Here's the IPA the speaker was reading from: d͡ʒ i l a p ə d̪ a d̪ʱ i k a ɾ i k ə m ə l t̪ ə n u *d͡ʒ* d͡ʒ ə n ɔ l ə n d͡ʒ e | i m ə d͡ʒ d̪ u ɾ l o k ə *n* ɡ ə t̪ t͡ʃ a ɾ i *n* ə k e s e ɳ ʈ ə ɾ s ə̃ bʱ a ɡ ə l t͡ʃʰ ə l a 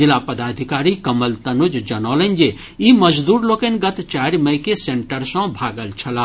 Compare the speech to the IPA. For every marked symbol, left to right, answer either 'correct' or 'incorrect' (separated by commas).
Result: correct, correct, incorrect